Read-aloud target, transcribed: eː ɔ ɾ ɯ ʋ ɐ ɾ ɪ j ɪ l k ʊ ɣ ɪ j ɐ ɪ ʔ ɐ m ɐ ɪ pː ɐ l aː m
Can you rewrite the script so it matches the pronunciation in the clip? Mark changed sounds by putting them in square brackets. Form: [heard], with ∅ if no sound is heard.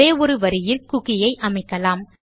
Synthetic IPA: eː ɔ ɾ ɯ ʋ ɐ ɾ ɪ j ɪ l k ʊ ɣ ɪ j ɐ ɪ ʔ ɐ m ɐ ɪ [kː] ɐ l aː m